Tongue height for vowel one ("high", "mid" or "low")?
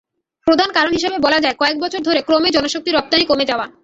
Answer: mid